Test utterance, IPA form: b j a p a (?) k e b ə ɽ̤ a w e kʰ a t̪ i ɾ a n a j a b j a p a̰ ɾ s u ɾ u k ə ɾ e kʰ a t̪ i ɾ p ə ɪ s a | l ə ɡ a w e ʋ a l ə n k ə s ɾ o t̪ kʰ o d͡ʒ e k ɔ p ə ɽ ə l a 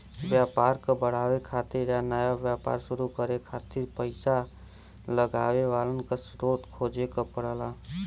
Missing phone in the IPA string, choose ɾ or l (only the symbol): ɾ